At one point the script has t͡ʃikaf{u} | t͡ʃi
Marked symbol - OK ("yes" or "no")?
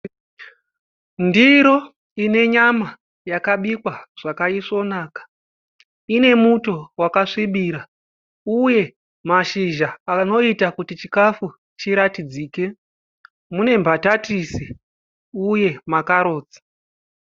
yes